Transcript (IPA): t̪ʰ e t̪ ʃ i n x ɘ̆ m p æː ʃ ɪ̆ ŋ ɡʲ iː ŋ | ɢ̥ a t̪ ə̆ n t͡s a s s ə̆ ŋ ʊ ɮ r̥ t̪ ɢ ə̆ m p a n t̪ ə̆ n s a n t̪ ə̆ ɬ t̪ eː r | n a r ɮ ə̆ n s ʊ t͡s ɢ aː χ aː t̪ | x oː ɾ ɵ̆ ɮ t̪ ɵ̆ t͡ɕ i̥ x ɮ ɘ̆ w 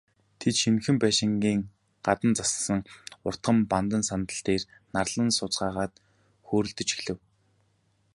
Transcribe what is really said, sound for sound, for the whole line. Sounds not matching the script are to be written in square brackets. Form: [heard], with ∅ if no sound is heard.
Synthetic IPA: t̪ʰ e t̪ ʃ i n x ɘ̆ m p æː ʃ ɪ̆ ŋ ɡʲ iː ŋ | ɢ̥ a t̪ ə̆ n t͡s a s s ə̆ ŋ ʊ [∅] r̥ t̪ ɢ ə̆ m p a n t̪ ə̆ n s a n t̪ ə̆ ɬ t̪ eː r | n a r ɮ ə̆ n s ʊ t͡s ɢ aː [ʁ] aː t̪ | x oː ɾ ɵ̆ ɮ t̪ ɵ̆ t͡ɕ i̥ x ɮ ɘ̆ w